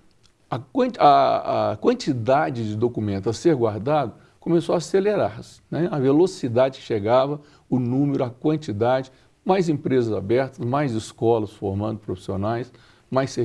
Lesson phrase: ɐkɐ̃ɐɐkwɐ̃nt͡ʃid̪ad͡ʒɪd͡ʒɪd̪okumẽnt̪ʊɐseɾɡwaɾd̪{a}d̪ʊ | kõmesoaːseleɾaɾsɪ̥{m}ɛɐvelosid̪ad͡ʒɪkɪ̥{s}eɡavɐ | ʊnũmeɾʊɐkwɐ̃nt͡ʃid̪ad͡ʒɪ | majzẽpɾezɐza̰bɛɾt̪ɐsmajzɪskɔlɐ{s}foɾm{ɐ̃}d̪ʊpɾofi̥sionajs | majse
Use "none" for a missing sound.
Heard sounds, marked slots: a, n, ʃ, s, ɐ̃

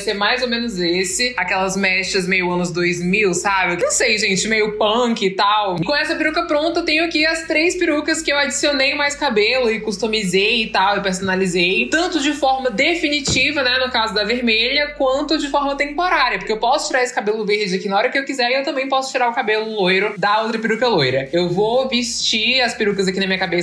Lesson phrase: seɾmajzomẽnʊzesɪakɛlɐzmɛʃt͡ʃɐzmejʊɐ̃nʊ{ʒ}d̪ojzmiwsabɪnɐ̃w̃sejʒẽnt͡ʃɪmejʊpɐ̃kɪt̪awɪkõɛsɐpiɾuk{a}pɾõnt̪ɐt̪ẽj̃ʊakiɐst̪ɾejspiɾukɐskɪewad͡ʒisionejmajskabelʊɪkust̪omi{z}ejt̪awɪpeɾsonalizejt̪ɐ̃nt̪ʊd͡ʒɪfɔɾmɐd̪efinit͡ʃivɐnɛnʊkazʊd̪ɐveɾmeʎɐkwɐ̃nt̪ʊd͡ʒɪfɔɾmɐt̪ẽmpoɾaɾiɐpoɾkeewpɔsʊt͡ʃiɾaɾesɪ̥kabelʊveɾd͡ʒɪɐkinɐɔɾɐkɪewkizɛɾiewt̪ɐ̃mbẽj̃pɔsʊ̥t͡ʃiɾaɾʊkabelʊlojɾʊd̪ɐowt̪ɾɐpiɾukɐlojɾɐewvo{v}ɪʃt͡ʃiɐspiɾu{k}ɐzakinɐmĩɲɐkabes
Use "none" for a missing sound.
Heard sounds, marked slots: z, ɐ, z, v, k

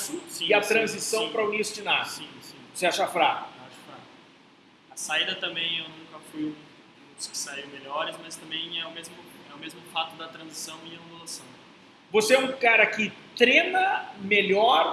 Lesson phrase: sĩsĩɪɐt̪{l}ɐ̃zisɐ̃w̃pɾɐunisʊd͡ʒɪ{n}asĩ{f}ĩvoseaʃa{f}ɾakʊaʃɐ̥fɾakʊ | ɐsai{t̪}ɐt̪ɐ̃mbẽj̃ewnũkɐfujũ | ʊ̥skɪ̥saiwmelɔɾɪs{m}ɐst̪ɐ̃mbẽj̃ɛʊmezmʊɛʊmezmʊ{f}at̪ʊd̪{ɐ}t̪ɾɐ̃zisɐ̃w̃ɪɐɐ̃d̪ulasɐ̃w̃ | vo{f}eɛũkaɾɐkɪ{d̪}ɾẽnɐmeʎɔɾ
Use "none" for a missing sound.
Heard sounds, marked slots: ɾ, n, s, f, d̪, m, f, ɐ, s, t̪

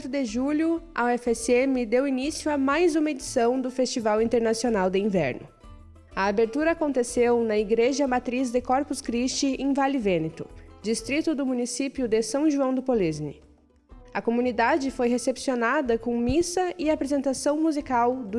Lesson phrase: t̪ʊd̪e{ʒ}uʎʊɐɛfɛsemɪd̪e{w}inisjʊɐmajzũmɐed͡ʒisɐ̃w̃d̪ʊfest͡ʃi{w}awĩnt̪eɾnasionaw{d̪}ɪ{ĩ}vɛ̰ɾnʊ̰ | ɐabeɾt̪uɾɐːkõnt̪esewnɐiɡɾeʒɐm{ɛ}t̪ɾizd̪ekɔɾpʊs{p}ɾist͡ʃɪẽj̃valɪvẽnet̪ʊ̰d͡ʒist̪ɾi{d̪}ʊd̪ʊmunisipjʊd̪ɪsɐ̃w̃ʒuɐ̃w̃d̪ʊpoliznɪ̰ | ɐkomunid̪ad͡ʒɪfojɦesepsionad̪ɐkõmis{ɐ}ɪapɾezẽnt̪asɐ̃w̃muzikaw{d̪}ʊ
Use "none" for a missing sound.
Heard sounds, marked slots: ʒ, w, v, d̪, ĩ, a, k, t̪, ɐ, d̪

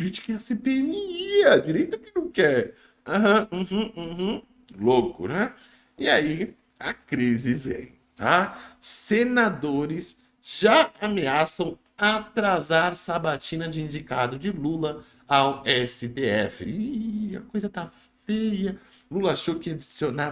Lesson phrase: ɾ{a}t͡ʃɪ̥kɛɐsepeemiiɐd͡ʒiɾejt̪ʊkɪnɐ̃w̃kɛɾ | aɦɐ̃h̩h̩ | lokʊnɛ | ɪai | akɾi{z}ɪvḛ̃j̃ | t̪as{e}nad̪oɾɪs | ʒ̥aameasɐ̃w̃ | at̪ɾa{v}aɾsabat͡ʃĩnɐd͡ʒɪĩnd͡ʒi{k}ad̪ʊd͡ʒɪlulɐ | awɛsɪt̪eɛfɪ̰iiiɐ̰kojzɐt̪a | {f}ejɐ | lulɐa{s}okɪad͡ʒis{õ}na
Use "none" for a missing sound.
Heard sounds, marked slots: i, z, e, z, k, f, ʃ, o

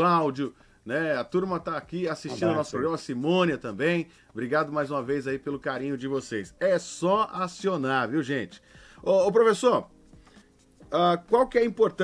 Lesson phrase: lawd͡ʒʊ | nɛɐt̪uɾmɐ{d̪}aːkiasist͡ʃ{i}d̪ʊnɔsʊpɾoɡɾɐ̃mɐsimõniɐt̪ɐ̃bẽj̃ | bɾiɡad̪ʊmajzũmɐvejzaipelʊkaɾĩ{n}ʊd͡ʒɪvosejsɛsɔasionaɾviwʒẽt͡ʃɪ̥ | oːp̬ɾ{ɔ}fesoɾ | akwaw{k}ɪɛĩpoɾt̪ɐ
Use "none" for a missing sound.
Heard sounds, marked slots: t̪, ĩ, ɲ, o, k

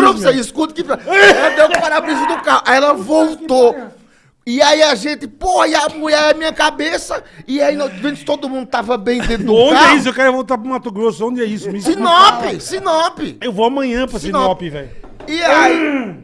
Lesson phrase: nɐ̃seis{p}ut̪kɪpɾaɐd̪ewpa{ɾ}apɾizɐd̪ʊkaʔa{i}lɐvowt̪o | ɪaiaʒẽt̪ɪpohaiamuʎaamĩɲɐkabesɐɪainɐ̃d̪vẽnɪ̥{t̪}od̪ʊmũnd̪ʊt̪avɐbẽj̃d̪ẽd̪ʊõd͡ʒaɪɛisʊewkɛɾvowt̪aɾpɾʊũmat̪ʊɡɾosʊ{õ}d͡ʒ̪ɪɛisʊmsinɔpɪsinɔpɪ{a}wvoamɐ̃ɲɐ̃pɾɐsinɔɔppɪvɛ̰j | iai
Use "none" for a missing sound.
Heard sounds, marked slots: k, ɾ, ɛ, t̪, õ, e

